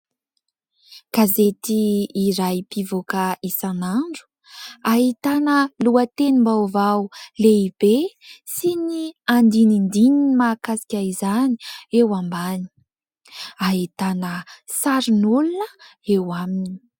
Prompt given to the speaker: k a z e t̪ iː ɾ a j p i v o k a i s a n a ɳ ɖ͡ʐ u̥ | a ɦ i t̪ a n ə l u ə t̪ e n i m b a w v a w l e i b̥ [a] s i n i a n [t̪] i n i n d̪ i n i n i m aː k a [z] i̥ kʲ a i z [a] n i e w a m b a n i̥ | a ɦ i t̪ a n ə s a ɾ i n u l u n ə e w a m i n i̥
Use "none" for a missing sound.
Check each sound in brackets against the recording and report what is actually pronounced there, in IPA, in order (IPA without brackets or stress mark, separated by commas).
e, d̪, s, a